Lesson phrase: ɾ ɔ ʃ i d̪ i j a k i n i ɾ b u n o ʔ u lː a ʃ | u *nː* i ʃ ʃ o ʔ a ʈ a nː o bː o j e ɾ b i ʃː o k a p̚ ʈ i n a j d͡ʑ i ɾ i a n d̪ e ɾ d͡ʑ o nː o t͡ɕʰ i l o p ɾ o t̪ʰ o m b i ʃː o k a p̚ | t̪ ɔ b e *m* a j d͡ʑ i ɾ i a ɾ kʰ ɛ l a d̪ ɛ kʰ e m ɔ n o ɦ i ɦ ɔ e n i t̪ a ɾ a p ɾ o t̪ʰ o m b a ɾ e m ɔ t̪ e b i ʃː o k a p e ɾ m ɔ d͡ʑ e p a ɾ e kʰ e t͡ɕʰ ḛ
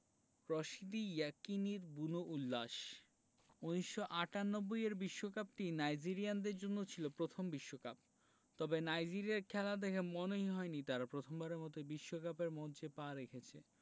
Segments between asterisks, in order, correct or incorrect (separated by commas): incorrect, incorrect